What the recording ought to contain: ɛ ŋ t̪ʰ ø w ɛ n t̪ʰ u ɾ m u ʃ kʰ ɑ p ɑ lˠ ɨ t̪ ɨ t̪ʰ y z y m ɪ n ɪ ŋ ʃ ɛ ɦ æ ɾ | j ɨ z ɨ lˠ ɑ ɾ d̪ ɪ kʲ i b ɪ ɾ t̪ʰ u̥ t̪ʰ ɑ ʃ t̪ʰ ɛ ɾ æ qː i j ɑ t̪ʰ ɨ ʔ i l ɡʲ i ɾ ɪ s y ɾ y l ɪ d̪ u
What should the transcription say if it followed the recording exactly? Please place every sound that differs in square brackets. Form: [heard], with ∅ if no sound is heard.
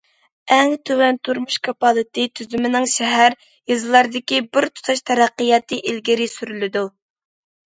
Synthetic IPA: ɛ ŋ t̪ʰ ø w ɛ n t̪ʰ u ɾ m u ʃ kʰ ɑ p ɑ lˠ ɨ t̪ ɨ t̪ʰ y z y m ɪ n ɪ ŋ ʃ ɛ ɦ æ ɾ | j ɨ z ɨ lˠ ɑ ɾ d̪ ɪ kʲ i b ɪ ɾ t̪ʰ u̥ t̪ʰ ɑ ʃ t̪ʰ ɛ ɾ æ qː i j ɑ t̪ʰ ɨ ʔ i l ɡʲ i ɾ ɪ s y ɾ y l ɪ d̪ u